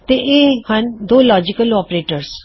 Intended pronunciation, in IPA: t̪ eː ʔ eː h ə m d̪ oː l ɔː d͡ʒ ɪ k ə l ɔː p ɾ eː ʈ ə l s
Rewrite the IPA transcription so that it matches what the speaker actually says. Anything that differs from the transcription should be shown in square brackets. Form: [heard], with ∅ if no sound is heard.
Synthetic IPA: t̪ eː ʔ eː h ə [n] d̪ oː l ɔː d͡ʒ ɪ k ə l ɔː p ɾ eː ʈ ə [ɾ] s